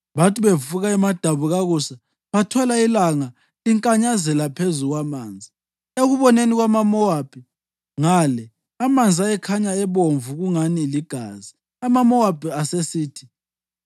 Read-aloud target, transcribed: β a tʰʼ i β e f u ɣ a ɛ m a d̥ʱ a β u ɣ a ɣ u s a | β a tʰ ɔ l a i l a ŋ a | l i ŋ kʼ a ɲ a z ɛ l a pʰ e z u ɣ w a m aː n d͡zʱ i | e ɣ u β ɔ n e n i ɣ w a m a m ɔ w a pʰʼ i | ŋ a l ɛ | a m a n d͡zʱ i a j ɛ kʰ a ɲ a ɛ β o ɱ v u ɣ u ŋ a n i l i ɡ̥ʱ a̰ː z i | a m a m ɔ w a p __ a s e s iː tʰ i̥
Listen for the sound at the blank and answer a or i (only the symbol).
i